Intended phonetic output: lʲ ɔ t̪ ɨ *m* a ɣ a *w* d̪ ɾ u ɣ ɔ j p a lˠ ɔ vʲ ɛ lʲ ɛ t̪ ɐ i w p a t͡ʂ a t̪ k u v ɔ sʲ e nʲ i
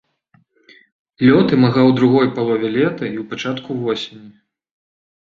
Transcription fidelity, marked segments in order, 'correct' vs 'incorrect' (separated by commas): correct, correct